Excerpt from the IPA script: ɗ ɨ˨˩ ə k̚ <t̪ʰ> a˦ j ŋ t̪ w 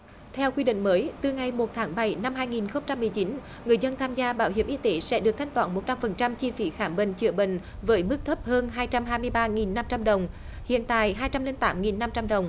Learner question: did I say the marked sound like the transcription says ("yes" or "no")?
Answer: yes